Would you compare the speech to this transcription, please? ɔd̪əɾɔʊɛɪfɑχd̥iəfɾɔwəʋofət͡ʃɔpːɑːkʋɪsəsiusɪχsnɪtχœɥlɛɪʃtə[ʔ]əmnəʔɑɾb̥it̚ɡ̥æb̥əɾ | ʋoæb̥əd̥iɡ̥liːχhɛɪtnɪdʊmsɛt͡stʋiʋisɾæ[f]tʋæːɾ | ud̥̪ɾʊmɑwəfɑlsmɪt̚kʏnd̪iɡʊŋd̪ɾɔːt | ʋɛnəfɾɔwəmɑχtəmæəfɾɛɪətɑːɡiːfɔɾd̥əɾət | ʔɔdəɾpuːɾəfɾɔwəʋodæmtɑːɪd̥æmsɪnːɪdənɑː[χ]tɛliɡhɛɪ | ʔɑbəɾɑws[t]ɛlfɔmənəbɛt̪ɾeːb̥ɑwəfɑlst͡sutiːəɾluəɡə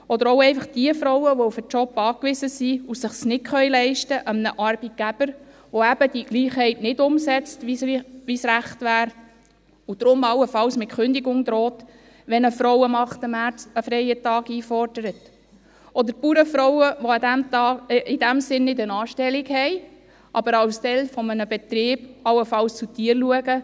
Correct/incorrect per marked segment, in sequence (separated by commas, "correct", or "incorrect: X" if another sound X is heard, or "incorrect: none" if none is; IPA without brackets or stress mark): correct, incorrect: χ, incorrect: ʃ, correct